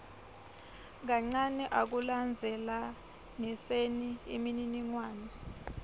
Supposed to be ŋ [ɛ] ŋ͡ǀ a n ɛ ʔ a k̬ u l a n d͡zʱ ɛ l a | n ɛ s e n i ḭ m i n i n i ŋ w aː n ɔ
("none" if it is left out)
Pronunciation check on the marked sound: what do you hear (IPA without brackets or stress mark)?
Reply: a